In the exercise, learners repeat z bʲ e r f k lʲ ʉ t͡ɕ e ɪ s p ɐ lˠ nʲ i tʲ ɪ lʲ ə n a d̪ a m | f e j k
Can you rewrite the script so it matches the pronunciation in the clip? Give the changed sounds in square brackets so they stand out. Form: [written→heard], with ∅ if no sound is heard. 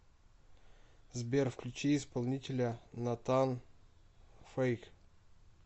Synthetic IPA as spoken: z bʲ e r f k lʲ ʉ t͡ɕ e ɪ s p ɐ lˠ nʲ i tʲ ɪ lʲ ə n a [d̪→t̪] a [m→n] | f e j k